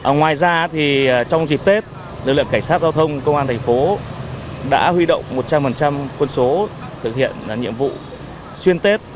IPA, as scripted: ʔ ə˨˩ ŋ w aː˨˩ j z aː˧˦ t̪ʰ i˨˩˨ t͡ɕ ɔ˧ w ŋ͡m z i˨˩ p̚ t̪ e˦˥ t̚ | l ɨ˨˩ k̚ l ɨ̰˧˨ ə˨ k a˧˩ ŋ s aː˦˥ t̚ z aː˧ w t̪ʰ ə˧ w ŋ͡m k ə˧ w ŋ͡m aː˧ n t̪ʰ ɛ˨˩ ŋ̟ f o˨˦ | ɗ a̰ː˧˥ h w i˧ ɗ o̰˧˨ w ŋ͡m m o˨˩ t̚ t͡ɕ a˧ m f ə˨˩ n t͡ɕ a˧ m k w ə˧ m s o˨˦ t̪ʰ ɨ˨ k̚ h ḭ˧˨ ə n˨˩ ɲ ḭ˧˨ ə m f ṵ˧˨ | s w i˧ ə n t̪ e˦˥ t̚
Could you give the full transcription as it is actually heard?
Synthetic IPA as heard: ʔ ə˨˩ ŋ w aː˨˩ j z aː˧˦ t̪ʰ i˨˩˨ t͡ɕ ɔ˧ w ŋ͡m z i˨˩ p̚ t̪ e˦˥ t̚ | l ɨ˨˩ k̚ l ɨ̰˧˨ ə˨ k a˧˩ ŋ s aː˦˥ t̚ z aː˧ w t̪ʰ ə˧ w ŋ͡m k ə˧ w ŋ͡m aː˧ n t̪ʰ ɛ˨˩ ŋ̟ f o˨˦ | ɗ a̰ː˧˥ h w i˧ ɗ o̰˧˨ w ŋ͡m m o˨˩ t̚ t͡ɕ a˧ m f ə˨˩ n t͡ɕ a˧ m k w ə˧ n s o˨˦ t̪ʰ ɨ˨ k̚ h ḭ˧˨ ə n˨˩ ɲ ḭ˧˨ ə m v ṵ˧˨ | s w i˧ ə n t̪ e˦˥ t̚